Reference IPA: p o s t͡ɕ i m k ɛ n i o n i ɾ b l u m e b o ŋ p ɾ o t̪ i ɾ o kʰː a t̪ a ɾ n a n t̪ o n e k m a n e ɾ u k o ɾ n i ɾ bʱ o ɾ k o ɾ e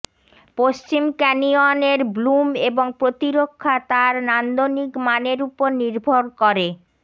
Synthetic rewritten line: p o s t͡ɕ i m k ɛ n i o n e ɾ b l u m e b o ŋ p ɾ o t̪ i ɾ o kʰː a t̪ a ɾ n a n d̪ o n i k m a n e ɾ u p o ɾ n i ɾ bʱ o ɾ k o ɾ e